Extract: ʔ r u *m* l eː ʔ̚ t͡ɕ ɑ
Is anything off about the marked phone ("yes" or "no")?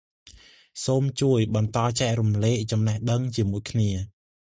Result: no